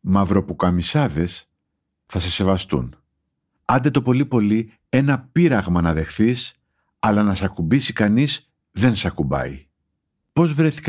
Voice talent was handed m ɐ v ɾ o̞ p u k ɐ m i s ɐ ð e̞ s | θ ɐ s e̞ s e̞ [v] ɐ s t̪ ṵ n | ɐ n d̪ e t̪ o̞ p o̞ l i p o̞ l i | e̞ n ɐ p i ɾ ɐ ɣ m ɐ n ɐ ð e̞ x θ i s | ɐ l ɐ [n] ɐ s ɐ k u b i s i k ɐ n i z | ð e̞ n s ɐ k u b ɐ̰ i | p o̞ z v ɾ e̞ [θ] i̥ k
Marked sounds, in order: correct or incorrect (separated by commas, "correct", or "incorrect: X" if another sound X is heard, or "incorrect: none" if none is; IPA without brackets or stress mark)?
correct, correct, correct